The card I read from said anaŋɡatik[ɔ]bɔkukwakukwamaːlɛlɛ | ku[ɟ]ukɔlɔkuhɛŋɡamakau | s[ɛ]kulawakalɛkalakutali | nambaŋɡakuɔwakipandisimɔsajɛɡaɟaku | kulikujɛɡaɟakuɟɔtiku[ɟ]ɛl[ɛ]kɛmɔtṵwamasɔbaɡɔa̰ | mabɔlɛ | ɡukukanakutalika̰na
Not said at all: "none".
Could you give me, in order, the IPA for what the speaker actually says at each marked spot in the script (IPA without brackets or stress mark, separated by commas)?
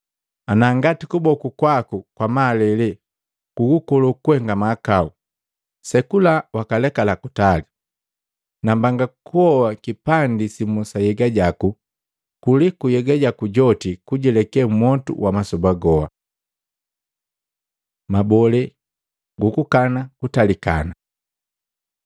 u, ɡ, ɛ, ɟ, ɛ